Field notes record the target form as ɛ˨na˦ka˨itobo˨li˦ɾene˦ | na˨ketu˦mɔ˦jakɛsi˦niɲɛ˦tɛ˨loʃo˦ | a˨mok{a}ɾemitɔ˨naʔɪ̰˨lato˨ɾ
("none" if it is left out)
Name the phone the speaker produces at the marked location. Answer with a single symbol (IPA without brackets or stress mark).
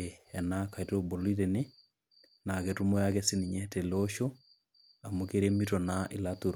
e